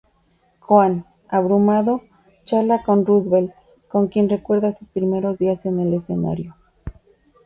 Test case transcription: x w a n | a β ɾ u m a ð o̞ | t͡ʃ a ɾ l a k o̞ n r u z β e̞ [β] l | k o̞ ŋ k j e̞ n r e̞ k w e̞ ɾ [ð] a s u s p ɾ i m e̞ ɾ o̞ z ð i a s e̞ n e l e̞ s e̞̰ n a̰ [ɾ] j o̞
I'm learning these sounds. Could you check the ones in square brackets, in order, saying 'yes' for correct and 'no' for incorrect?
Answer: no, yes, yes

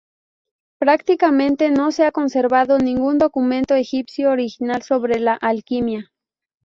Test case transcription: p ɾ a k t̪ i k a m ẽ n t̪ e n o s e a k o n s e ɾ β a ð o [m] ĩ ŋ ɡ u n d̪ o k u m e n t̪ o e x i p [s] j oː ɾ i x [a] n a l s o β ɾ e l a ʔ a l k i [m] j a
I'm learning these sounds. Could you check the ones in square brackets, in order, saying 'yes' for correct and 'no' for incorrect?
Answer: no, yes, no, yes

